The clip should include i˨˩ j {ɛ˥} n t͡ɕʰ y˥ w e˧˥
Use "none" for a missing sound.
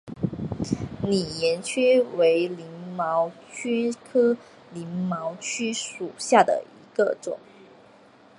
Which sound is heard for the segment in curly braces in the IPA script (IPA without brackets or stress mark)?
ɛ˧˥